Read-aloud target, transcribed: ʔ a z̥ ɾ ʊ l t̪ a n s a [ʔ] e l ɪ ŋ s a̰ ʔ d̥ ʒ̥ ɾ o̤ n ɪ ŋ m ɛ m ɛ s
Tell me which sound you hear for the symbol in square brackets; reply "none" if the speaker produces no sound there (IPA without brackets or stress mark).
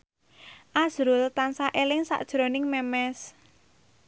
ʔ